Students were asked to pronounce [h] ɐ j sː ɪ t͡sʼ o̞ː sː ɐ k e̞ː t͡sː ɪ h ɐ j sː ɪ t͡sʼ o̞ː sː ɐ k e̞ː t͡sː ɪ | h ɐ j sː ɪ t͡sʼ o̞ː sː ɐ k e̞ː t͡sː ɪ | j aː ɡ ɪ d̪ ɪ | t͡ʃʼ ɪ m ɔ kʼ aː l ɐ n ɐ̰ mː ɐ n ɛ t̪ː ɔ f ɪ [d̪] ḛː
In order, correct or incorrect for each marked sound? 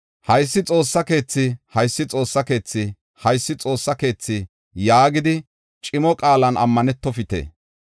correct, incorrect: t̪

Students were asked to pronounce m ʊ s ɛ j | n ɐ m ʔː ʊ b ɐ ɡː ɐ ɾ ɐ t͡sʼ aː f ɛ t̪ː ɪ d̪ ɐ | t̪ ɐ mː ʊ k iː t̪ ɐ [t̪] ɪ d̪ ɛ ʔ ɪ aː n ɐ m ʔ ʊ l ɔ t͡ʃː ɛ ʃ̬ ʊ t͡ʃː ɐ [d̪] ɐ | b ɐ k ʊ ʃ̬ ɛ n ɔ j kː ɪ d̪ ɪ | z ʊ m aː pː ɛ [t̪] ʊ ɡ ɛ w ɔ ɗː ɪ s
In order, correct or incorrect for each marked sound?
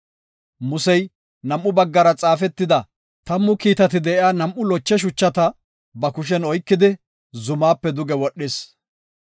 correct, incorrect: t̪, incorrect: d̪

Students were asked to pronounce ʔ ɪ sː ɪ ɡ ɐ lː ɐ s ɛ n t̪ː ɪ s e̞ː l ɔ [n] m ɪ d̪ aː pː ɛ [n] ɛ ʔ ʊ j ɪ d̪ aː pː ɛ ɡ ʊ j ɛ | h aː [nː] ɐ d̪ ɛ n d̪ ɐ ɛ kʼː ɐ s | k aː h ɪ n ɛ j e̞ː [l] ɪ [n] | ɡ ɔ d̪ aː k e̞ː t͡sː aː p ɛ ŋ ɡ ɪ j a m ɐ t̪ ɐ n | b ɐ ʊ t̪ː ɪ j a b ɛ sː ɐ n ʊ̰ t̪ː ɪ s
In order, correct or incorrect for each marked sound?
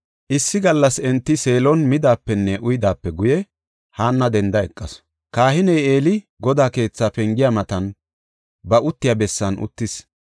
correct, incorrect: nː, correct, correct, incorrect: none

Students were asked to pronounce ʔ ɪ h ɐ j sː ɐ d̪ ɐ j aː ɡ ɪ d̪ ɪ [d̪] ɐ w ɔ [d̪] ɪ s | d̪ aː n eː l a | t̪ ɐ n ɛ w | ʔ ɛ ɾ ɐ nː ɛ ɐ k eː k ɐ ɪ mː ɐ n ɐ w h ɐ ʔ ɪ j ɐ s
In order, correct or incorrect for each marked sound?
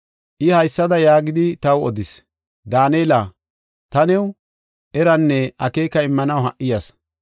incorrect: t̪, correct

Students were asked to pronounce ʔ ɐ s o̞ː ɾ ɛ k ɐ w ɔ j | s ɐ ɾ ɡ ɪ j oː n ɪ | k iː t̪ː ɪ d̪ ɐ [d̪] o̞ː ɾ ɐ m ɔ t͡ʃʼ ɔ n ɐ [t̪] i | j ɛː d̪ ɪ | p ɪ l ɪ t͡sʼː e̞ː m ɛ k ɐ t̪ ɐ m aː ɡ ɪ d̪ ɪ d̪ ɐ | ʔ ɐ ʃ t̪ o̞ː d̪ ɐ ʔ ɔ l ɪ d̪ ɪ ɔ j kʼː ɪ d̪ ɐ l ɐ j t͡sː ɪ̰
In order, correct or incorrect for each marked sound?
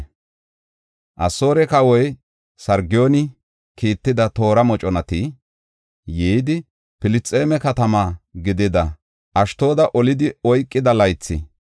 incorrect: t̪, correct

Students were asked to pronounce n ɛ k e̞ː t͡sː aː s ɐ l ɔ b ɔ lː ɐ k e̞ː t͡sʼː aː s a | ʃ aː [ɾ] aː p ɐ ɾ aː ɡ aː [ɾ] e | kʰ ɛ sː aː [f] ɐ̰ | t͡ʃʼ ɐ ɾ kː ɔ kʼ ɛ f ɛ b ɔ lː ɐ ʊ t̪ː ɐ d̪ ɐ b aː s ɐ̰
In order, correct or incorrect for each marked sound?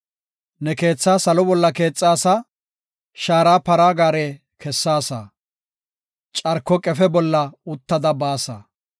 correct, correct, incorrect: s

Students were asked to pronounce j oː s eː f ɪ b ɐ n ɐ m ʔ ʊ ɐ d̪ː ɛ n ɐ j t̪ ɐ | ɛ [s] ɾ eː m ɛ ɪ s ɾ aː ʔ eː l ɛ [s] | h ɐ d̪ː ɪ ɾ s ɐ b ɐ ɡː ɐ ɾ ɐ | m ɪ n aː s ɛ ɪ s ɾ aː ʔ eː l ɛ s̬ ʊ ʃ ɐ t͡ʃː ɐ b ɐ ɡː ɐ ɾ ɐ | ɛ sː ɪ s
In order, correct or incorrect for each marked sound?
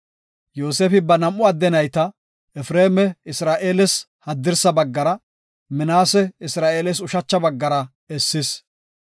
incorrect: f, correct

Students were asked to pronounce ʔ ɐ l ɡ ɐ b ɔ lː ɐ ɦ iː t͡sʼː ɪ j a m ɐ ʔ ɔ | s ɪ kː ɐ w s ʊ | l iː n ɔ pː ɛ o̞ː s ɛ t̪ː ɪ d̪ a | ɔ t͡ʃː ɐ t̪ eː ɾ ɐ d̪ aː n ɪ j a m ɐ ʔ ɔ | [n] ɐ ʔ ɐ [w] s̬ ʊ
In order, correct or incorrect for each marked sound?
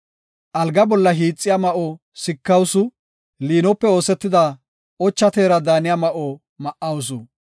incorrect: m, correct

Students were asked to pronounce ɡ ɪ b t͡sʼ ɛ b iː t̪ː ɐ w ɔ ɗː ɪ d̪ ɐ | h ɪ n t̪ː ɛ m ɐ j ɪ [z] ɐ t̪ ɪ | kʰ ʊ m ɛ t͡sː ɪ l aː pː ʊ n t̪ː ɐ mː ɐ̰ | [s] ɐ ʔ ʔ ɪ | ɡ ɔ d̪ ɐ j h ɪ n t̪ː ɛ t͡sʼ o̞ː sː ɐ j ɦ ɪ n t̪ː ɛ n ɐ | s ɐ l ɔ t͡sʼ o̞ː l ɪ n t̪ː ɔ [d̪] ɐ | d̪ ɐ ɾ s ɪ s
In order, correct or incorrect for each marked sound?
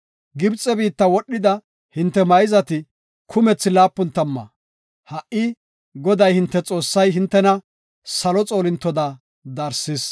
correct, incorrect: h, correct

